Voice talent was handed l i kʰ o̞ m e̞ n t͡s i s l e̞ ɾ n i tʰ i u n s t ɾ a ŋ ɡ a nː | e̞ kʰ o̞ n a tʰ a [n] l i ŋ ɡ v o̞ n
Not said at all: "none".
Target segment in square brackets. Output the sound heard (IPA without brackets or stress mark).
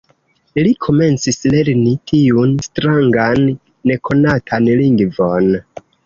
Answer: n